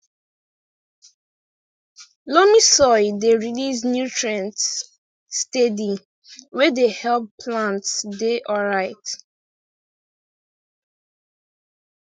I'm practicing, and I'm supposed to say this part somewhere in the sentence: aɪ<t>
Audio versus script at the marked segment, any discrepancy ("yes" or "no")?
no